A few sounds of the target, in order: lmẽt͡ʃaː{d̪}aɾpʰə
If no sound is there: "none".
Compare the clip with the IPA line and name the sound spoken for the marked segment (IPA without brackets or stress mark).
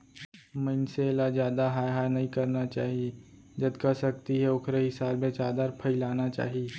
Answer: d̪